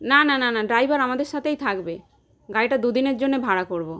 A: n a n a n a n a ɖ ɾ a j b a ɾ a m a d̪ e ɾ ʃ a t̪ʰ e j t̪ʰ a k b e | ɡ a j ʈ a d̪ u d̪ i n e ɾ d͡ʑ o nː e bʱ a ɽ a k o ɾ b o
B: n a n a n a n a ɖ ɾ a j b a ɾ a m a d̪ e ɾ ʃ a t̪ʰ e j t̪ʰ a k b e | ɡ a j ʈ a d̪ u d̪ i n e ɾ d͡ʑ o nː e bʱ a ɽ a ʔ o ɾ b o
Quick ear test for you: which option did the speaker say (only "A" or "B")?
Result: A